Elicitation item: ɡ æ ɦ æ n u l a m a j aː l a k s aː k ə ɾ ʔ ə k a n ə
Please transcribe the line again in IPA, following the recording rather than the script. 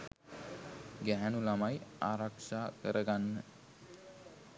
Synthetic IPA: ɡ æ ɦ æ n u l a m a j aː ɾ a k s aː k ə ɾ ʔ ə ɡ a nː ə